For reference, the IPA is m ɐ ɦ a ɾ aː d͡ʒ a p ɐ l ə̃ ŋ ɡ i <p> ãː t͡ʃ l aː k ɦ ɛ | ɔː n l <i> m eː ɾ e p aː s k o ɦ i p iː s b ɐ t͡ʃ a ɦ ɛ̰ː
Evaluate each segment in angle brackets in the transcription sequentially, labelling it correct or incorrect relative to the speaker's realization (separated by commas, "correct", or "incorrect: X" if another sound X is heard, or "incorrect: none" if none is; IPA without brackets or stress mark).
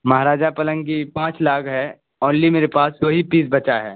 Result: correct, correct